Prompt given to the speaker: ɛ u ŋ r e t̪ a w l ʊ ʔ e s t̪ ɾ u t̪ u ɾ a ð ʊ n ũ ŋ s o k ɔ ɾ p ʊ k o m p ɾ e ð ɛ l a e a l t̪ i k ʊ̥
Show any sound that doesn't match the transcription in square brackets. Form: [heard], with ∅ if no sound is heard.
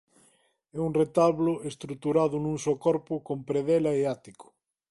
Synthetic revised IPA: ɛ u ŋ r e t̪ a [β] l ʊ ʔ e s t̪ ɾ u t̪ u ɾ a ð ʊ n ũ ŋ s o k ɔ ɾ p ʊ k o m p ɾ e ð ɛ l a e a [∅] t̪ i k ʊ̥